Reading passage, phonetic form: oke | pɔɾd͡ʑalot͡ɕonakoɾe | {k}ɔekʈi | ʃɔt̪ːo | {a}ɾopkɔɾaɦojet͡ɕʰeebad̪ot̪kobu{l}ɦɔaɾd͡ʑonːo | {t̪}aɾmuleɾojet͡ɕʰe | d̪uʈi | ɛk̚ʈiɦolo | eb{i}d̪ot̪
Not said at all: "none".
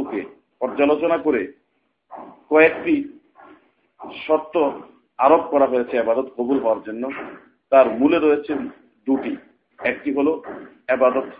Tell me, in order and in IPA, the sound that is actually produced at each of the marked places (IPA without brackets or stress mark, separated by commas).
k, a, l, t̪, a